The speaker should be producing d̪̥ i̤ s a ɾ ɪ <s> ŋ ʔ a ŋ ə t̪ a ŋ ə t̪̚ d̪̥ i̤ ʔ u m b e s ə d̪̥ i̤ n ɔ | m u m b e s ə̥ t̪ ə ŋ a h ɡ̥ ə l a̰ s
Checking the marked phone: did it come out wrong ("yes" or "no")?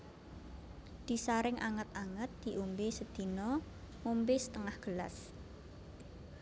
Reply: yes